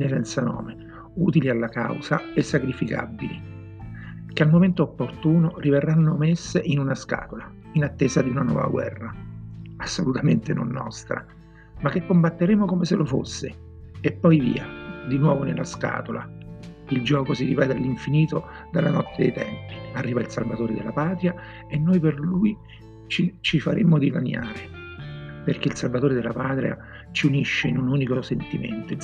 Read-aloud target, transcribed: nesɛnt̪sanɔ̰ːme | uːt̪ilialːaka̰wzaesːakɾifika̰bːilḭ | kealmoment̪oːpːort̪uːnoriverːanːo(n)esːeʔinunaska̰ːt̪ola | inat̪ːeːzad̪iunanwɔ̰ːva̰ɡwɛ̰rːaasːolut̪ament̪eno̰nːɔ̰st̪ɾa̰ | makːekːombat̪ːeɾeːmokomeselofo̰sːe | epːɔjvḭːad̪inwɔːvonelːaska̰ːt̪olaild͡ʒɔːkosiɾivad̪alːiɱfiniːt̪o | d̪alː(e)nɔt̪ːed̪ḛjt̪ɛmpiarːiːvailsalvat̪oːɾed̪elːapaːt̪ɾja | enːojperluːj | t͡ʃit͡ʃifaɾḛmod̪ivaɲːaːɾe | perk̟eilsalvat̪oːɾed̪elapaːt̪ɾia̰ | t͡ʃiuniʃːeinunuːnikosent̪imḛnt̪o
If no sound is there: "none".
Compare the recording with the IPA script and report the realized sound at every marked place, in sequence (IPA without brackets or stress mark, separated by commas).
m, a